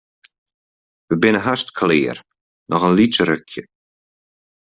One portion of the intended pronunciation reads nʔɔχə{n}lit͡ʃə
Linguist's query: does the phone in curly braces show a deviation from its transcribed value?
no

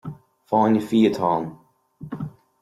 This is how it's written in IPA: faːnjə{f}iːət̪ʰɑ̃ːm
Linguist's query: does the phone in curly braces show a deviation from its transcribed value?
no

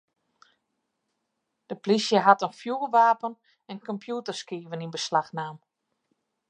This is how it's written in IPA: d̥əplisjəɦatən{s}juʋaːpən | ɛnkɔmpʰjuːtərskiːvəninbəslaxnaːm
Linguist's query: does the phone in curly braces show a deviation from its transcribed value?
yes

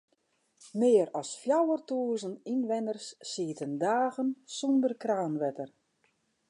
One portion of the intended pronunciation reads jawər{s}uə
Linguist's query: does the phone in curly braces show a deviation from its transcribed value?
yes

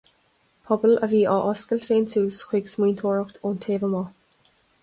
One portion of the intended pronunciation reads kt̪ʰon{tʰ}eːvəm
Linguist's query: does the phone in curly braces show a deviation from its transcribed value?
no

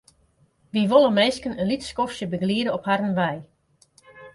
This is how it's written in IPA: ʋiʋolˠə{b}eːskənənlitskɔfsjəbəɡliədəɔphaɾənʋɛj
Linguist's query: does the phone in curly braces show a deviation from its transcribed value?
yes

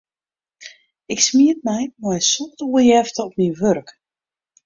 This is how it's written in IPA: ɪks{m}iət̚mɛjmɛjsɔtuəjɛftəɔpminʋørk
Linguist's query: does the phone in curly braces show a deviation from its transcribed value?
no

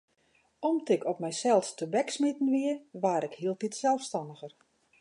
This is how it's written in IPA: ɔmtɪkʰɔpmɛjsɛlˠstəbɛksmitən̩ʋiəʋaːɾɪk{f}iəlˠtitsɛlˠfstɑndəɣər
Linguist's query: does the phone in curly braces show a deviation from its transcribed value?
yes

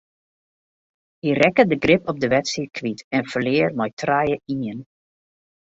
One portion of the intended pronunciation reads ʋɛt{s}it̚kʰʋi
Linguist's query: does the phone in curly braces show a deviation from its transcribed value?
no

